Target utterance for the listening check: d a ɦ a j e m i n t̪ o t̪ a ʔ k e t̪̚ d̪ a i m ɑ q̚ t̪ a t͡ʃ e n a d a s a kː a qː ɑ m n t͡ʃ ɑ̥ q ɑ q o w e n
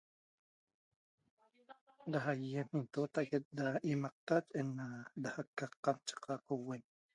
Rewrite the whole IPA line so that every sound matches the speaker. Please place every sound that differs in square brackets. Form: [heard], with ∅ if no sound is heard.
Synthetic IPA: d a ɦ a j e m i n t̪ o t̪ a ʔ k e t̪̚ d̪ a i m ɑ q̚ t̪ a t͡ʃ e n a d a [h] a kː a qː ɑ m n t͡ʃ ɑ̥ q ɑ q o w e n